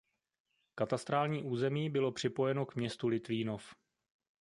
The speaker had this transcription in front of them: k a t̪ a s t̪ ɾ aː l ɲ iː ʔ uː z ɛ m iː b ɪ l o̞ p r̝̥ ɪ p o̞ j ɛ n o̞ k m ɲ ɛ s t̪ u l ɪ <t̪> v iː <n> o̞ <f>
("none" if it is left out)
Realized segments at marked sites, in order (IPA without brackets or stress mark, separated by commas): t̪, n, f